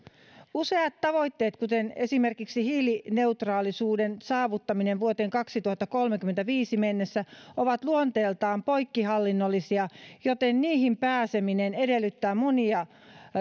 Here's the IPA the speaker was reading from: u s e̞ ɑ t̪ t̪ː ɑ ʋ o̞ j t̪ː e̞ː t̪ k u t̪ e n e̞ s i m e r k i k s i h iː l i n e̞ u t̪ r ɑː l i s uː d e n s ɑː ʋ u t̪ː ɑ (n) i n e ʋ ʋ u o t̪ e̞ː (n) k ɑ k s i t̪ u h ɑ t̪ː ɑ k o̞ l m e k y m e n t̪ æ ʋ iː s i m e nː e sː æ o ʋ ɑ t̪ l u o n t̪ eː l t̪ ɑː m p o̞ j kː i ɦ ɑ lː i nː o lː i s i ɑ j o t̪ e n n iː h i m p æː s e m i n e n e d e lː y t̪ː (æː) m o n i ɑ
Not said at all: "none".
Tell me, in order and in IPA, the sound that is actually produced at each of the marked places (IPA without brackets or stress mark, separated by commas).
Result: m, ŋ, æː